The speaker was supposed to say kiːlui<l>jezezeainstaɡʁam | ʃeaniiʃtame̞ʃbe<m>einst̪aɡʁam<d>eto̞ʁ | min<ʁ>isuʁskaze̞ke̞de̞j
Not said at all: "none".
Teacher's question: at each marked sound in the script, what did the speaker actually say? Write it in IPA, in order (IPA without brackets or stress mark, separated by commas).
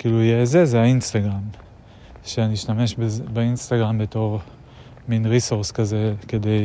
none, b, b, ʁ